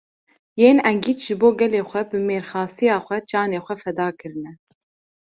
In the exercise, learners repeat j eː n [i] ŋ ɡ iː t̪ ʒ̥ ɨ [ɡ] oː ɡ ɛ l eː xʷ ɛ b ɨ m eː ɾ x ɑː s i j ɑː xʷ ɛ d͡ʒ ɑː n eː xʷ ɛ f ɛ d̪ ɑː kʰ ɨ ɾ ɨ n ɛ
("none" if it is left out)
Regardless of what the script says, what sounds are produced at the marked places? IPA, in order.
ɛ, b

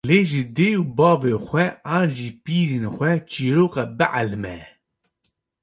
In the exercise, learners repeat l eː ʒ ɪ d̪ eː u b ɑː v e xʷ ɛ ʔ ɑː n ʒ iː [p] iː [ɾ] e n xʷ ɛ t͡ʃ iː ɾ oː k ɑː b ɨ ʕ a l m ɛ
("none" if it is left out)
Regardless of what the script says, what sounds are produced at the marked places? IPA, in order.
p, ɾ

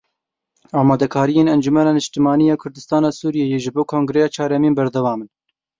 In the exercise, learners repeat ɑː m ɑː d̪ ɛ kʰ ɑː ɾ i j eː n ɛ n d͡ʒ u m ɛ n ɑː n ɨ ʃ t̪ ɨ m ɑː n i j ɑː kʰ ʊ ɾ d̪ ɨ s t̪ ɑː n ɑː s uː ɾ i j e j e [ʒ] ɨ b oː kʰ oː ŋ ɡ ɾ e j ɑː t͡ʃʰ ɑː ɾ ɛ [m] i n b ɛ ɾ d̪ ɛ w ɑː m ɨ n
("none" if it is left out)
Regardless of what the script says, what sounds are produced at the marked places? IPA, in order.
ʒ, m

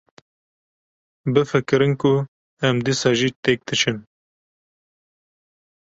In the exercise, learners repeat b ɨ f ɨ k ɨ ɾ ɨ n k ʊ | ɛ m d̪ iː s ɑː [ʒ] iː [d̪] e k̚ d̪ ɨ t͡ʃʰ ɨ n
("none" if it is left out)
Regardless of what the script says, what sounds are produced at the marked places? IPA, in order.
ʒ, t̪

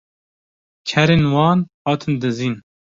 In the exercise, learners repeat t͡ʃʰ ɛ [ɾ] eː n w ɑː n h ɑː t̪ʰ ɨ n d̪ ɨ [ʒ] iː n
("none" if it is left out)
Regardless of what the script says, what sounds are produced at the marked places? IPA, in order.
ɾ, z

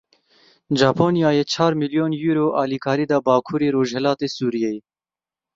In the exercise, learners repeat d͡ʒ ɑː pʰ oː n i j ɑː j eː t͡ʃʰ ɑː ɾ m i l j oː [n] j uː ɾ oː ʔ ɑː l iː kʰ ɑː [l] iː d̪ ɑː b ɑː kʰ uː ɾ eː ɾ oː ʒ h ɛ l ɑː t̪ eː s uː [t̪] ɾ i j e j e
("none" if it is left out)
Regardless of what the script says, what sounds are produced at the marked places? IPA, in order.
n, ɾ, none

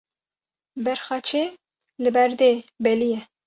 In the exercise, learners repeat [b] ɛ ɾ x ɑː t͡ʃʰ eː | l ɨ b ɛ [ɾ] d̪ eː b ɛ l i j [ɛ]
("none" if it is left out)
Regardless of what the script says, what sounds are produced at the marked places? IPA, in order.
b, ɾ, ɛ

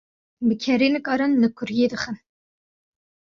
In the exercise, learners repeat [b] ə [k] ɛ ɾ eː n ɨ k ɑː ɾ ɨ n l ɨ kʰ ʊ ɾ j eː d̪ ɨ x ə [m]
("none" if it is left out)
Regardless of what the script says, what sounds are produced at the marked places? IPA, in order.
b, kʰ, n

